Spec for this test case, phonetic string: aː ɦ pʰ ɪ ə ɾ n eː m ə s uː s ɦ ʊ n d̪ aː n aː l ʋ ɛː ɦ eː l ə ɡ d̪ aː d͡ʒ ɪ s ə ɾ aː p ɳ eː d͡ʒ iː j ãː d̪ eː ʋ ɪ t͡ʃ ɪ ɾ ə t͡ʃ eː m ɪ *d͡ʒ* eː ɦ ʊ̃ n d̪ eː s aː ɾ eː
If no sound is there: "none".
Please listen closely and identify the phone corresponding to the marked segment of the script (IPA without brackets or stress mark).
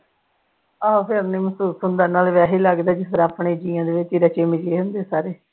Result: d͡ʒ